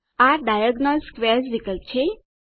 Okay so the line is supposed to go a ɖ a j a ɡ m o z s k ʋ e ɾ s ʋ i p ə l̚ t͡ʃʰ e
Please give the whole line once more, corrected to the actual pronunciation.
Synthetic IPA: a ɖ a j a ɡ n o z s k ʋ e ɾ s ʋ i k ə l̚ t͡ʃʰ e

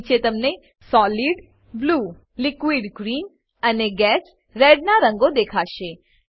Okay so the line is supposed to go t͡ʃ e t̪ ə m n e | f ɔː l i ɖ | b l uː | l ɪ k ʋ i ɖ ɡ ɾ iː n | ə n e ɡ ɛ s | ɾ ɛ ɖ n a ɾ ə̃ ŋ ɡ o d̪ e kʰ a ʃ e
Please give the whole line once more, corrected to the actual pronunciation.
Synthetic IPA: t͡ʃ e t̪ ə m n e | s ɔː l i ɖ | b l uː | l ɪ k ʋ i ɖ ɡ ɾ iː n | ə n e ɡ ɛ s | ɾ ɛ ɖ n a ɾ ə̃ ŋ ɡ o d̪ e kʰ a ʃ e

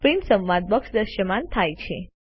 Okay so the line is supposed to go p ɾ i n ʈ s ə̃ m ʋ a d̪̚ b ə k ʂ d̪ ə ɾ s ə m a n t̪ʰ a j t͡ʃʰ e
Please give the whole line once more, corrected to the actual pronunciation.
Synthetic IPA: p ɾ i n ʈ s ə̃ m ʋ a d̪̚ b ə k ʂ d̪ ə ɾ ʃ ə m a n t̪ʰ a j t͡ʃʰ e

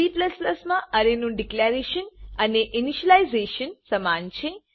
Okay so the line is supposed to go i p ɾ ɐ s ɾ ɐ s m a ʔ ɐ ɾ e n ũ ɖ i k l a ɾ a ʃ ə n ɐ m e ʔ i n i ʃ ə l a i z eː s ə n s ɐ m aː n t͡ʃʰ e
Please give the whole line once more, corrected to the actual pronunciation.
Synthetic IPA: i p l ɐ s l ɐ s m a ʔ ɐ ɾ e n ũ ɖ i k l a ɾ e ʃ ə n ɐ n e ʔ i n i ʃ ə l a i z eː ʃ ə n s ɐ m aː n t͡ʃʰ e

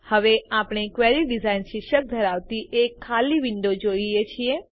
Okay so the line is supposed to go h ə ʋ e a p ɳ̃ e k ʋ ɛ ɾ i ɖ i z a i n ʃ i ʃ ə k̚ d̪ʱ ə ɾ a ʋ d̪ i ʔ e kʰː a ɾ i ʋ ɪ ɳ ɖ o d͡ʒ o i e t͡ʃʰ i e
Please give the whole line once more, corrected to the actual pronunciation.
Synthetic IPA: h ə ʋ e a p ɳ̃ e k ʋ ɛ ɾ i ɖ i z a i n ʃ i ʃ ə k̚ d̪ʱ ə ɾ a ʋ t̪ i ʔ e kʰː a l i ʋ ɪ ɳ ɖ o d͡ʒ o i e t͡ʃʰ i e

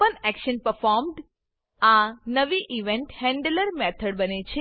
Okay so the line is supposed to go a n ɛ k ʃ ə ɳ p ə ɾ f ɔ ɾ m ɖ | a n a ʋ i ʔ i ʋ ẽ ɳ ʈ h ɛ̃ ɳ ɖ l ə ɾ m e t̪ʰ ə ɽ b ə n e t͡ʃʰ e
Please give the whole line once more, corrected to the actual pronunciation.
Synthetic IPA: ə n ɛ k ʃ ə n p ə ɾ f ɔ ɾ m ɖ | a n ə ʋ i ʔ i ʋ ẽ ɳ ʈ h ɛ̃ ɳ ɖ l ə ɾ m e t̪ʰ ə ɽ b ə n e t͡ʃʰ e

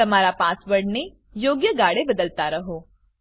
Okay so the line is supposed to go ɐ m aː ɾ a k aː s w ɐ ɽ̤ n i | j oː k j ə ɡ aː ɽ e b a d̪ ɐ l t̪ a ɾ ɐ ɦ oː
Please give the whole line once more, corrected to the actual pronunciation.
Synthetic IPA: ɐ m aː ɾ a p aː s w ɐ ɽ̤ n e | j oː ɡ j ə ɡ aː ɽ e b ɐ d̪ ə l t̪ a ɾ ɐ ɦ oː

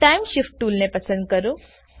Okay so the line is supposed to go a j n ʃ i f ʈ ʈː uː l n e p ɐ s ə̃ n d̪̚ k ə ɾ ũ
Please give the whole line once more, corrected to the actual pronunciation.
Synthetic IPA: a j m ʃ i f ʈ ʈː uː l n e p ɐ s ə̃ n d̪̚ k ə ɾ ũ

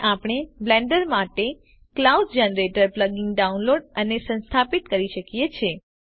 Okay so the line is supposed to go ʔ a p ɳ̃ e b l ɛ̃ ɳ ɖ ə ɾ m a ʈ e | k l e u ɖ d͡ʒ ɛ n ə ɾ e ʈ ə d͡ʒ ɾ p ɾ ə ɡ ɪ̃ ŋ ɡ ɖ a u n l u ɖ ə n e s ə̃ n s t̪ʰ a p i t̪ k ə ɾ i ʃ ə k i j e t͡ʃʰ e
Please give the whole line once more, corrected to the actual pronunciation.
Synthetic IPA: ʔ a p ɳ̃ e b l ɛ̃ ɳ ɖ ə ɾ m a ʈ e | k l a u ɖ d͡ʒ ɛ n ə ɾ e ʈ ə ɾ p l ə ɡ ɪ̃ ŋ ɡ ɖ a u n l o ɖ ə n e s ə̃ n s t̪ʰ a p i t̪ k ə ɾ i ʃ ə k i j e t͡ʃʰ e

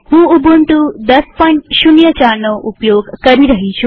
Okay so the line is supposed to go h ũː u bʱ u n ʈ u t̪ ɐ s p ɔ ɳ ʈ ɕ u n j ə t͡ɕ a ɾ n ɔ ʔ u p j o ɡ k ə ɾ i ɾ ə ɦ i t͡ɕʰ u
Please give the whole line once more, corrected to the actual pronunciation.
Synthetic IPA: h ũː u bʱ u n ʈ u d̪ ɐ s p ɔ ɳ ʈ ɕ u n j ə t͡ɕ a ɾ n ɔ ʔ u p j o ɡ k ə ɾ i ɾ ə ɦ i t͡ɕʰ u

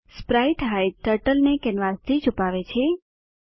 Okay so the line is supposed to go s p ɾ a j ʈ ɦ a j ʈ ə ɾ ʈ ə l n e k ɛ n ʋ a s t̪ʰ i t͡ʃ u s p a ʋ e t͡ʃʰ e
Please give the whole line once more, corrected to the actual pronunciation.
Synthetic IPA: s p ɾ a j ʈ ɦ a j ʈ ə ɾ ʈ ə l n e k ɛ n ʋ a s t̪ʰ i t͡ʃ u p a ʋ e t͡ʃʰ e

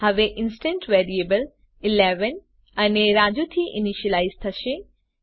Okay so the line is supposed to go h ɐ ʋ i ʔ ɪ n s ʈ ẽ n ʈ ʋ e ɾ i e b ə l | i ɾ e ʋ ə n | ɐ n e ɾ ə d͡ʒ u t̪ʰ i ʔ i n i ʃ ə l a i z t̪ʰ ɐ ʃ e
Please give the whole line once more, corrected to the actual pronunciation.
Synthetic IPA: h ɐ ʋ e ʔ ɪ n s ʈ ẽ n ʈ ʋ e ɾ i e b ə l | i l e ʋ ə n | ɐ n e ɾ a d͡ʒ u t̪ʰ i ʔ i n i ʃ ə l a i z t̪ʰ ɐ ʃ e

